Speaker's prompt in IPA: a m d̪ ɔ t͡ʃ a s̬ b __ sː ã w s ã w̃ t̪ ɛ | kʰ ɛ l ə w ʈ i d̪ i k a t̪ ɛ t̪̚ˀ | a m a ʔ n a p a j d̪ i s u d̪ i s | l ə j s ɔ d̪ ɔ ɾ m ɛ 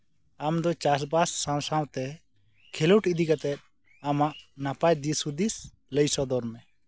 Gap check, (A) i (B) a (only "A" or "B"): B